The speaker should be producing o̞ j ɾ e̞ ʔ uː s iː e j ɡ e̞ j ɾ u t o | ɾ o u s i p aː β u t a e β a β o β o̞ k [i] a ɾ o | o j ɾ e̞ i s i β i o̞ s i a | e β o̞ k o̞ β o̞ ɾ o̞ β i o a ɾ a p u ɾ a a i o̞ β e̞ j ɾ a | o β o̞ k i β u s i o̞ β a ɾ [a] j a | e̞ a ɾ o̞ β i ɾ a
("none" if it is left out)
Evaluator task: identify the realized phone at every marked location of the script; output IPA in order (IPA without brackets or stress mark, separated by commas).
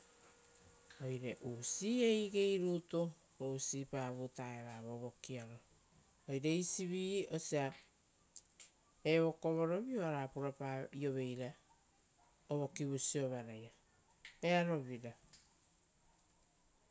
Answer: i, a